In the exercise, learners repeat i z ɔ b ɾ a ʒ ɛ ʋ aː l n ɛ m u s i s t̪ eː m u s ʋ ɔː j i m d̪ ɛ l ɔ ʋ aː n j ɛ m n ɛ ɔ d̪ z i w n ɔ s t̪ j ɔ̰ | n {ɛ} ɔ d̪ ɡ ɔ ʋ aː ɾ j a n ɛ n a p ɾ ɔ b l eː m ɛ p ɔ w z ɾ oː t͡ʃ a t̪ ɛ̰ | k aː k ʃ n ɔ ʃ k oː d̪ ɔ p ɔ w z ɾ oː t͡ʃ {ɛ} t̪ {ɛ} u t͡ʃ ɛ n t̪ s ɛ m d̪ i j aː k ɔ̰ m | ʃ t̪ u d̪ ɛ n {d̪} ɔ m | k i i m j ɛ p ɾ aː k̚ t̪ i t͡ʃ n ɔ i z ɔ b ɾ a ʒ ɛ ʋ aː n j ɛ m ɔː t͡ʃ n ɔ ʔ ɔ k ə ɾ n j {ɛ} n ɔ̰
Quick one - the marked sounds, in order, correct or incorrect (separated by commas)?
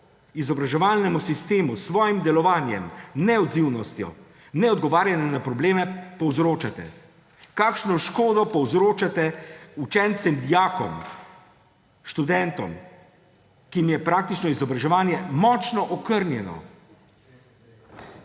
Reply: correct, incorrect, correct, incorrect, correct